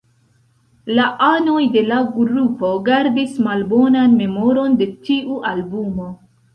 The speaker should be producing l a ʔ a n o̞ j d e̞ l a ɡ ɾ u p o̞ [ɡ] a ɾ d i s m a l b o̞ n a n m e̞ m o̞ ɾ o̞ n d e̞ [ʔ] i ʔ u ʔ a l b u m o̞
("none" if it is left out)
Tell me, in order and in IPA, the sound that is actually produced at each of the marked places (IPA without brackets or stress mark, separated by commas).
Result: ɡ, t